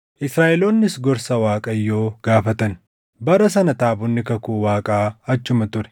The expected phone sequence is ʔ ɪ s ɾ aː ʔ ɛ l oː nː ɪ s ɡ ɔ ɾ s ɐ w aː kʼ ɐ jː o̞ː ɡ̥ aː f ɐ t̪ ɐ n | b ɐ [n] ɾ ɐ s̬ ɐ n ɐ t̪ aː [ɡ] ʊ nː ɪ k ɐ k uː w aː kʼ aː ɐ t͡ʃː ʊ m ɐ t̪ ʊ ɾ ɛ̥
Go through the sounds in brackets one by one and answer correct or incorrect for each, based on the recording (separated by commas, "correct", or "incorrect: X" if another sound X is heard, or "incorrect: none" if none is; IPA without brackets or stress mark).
incorrect: none, incorrect: b